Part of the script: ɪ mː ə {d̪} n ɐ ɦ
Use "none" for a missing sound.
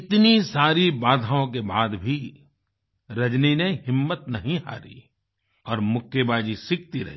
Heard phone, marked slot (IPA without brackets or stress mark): t̪